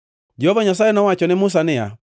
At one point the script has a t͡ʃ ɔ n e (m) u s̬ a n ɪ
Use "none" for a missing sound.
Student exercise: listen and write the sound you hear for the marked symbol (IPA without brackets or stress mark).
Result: m